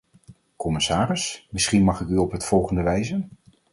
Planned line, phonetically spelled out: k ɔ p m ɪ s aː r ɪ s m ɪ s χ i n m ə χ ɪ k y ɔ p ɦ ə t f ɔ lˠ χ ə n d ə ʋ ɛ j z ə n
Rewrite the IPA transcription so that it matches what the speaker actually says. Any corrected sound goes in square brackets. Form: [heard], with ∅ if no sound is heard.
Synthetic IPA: k ɔ [∅] m ɪ s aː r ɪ s m ɪ s χ i n m [ɑ] χ ɪ k y ɔ p ɦ ə t f ɔ lˠ χ ə n d ə ʋ ɛ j z ə n

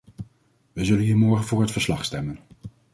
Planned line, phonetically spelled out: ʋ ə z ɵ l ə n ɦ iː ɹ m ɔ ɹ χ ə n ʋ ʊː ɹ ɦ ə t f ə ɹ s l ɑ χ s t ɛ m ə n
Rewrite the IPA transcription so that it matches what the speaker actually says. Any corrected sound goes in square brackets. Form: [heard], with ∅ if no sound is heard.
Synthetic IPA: ʋ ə z ɵ l ə n ɦ iː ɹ m ɔ ɹ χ ə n [v] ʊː ɹ ɦ ə t f ə ɹ s l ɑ χ s t ɛ m ə n

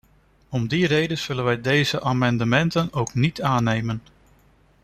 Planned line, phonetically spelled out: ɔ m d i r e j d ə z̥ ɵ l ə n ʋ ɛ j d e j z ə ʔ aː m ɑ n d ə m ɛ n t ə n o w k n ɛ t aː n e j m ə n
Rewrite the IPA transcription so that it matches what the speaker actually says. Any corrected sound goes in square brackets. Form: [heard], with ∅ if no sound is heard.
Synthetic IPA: ɔ m d i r e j d ə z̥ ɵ l ə n ʋ ɛ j d e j z ə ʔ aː m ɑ n d ə m ɛ n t ə n o w k n [i] t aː n e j m ə n

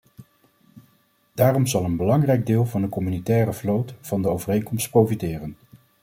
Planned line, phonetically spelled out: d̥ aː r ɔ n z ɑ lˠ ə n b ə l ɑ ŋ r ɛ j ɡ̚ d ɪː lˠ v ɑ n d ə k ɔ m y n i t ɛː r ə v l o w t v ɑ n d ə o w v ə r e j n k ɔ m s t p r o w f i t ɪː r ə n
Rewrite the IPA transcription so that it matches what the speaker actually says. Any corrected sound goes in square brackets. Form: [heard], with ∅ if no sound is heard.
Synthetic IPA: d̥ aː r ɔ [m] z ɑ lˠ ə n b ə l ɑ ŋ r ɛ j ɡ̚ d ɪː lˠ v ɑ n d ə k ɔ m y n i t ɛː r ə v l o w t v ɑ n d ə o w v ə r e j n k ɔ m s t p r o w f i t ɪː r ə n

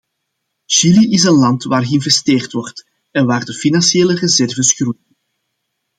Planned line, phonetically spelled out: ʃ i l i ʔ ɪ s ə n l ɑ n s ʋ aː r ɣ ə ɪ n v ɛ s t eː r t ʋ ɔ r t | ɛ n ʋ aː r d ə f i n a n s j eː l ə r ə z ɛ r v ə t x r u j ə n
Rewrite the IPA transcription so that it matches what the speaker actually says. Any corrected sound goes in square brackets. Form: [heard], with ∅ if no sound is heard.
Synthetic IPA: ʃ i l i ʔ ɪ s ə n l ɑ n [t] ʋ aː r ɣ ə ɪ n v ɛ s t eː r t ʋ ɔ r t | ɛ n ʋ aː r d ə f i n [ɑ] n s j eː l ə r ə z ɛ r v ə [s] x r u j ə n

